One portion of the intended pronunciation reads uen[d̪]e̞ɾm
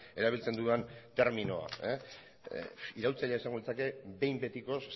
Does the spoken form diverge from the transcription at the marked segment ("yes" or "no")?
yes